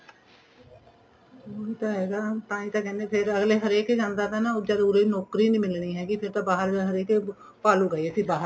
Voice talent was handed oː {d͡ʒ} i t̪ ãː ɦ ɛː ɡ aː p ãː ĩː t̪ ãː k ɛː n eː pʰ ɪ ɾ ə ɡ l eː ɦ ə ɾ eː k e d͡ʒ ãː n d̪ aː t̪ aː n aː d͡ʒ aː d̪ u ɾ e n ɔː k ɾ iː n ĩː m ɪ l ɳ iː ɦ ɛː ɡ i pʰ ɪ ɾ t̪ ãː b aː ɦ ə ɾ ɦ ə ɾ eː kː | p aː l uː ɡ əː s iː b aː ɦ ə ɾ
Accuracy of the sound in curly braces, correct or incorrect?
incorrect